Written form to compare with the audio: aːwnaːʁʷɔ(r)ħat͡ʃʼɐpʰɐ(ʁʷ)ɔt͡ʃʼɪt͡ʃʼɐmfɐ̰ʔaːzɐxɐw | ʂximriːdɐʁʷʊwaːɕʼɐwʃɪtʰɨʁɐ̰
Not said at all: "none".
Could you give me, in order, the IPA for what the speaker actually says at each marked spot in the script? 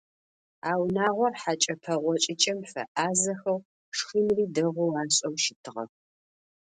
r, ʁʷ

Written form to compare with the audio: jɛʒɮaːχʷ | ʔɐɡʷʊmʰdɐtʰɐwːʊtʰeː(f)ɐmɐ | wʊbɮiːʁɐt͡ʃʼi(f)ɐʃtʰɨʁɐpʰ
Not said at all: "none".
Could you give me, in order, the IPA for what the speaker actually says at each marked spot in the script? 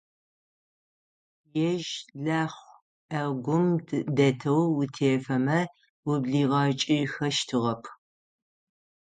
f, x

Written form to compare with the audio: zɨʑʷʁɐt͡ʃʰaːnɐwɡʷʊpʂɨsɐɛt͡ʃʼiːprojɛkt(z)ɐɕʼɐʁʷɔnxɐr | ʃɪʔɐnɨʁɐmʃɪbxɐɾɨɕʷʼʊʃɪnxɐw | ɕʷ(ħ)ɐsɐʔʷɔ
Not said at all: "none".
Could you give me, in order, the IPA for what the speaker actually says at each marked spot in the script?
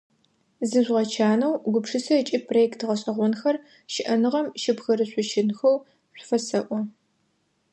ʁ, f

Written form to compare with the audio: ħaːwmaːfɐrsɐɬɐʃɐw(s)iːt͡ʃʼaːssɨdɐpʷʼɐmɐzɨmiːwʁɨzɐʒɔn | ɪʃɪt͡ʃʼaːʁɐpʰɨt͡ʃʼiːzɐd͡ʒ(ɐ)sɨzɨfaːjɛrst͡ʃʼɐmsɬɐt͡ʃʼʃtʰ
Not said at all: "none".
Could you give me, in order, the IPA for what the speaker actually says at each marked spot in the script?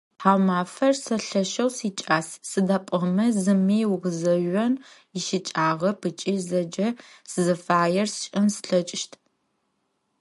s, ɐ

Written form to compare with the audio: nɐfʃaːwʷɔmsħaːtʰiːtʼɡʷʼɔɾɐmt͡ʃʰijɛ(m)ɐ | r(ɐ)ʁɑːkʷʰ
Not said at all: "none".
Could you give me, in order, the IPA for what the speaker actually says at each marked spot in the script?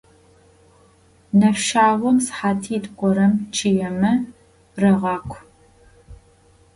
m, ɐ

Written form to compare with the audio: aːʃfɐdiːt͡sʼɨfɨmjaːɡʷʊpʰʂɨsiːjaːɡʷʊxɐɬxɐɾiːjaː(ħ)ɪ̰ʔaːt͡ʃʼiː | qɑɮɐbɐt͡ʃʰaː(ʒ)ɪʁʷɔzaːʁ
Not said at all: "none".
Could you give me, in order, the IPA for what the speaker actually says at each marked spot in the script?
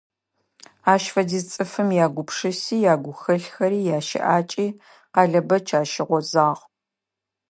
ʃ, ʃ

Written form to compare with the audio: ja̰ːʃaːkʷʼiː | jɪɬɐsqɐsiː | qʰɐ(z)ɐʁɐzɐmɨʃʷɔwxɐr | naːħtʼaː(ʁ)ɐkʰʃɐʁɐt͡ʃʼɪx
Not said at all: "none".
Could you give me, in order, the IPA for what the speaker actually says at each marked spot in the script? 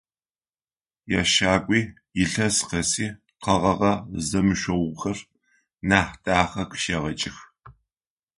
ʁ, χ

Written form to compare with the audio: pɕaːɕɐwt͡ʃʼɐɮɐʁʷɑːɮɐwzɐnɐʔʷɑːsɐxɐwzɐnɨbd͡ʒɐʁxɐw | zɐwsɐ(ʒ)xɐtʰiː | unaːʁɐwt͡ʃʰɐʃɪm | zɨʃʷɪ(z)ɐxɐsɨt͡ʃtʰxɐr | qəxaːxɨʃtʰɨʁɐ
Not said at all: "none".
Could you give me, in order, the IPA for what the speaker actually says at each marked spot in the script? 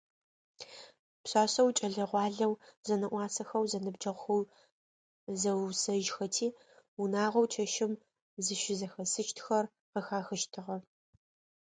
ʒ, z

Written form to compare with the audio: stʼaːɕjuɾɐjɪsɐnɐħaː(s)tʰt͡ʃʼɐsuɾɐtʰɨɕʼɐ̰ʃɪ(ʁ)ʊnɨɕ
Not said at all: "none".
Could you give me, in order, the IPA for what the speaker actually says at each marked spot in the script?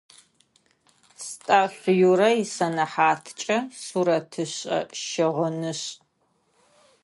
none, ʁ

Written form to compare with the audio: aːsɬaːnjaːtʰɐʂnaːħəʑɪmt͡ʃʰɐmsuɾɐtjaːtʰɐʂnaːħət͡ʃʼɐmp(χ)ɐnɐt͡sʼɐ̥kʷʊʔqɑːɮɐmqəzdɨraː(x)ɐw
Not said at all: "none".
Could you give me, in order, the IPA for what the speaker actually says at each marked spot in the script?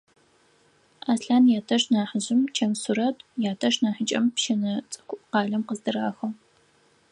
ʃ, x

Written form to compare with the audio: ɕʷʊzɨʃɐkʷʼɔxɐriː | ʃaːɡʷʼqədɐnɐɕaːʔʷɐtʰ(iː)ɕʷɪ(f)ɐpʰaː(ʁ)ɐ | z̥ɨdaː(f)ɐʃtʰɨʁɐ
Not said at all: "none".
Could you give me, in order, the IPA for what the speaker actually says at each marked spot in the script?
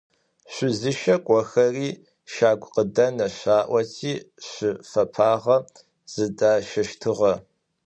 iː, f, ʁ, ʃ

